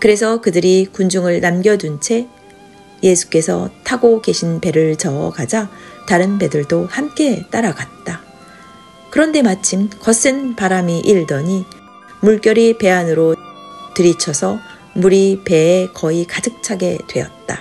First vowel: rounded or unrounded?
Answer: unrounded